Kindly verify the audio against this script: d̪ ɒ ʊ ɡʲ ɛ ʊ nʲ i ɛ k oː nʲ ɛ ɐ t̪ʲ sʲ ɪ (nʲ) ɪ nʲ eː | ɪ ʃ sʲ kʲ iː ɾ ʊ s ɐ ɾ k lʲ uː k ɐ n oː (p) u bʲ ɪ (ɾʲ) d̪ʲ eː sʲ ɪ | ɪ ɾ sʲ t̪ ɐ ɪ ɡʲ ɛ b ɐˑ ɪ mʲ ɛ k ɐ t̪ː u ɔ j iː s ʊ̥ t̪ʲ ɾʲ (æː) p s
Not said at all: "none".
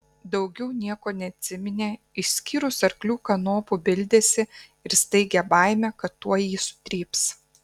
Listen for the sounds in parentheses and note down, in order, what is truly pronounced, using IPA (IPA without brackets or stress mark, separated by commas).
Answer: mʲ, p, lʲ, iː